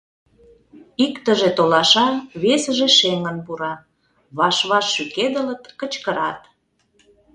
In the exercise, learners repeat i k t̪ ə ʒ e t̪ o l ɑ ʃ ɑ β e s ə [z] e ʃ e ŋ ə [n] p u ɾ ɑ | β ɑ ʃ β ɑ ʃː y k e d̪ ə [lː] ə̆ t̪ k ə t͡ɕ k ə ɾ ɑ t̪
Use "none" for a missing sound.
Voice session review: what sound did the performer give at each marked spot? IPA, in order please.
ʒ, n, l

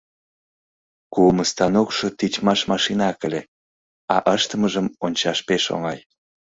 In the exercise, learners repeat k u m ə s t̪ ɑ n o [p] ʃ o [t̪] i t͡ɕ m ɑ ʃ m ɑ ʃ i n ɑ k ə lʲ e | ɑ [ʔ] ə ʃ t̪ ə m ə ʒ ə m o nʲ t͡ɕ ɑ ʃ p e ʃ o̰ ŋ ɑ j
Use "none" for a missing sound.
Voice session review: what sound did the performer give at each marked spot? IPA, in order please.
k, t̪, ʔ

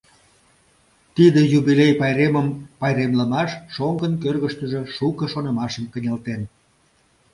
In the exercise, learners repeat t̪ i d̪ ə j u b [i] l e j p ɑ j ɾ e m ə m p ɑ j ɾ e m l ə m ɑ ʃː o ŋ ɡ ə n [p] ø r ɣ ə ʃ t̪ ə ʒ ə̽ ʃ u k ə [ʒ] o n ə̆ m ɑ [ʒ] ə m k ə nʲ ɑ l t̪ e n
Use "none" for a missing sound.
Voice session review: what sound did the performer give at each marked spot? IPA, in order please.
i, k, ʃ, ʃ

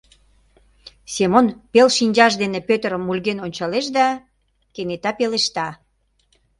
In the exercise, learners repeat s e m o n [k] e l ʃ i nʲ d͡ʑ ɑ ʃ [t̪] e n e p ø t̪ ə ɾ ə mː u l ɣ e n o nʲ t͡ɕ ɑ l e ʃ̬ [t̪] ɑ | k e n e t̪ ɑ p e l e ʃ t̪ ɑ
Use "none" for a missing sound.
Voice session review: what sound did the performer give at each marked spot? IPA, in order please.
p, d̪, d̪

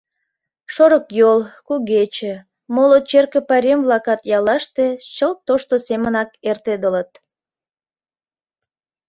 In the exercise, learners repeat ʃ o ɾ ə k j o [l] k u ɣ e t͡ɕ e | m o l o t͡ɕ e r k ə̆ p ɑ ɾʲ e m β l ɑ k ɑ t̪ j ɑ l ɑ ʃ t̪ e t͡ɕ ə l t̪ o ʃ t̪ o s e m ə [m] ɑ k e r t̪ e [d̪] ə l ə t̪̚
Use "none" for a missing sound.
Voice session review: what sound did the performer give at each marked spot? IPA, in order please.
l, n, d̪

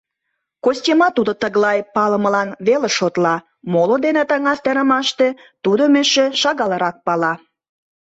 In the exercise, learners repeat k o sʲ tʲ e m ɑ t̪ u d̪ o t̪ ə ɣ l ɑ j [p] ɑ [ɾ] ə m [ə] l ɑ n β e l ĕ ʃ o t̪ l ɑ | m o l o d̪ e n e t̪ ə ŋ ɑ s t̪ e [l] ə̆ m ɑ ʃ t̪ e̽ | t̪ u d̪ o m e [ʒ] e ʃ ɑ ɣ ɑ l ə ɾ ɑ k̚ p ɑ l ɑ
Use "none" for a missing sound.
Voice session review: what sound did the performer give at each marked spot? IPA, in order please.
p, l, ə, ɾ, ʃ

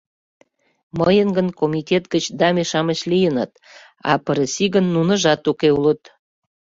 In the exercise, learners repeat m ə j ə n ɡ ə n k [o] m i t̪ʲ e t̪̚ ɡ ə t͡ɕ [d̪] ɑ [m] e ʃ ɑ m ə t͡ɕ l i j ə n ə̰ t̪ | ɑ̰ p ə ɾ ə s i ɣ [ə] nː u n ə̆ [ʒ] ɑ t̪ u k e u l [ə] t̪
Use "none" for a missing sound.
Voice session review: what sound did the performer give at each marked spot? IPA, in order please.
o, d̪, m, ə, ʒ, ə

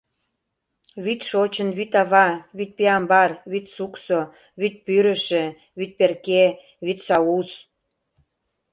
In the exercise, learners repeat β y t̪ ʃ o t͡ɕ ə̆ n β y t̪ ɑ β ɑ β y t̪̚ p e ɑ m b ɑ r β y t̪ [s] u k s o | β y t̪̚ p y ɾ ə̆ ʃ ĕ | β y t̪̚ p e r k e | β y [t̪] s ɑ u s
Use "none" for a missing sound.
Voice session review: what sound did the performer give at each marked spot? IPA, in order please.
s, t̪

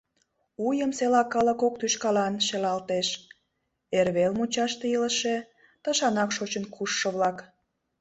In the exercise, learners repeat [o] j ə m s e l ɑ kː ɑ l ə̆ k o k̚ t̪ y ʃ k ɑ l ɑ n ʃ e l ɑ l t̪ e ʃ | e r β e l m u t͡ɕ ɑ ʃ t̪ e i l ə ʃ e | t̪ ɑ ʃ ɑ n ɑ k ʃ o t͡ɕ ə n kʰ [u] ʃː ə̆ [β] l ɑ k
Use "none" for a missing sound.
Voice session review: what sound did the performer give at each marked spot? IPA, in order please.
u, u, β

